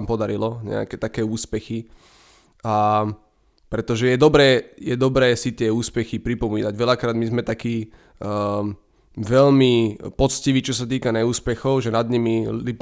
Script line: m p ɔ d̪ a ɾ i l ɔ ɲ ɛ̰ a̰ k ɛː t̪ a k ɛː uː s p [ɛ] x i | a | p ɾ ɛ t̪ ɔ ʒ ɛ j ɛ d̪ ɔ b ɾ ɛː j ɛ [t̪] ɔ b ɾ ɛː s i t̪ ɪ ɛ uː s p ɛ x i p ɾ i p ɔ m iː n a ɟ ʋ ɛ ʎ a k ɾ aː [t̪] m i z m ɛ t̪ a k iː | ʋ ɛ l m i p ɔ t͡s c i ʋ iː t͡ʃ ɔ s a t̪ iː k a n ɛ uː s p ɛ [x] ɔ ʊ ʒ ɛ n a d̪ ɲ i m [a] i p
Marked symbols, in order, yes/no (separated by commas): yes, no, no, yes, no